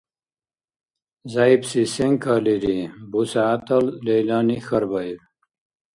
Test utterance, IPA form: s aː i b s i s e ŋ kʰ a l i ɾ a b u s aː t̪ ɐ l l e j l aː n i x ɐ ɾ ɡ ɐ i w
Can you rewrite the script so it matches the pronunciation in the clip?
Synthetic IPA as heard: z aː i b s i s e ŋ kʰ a l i ɾ i b u s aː t̪ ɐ l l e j l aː n i x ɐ ɾ b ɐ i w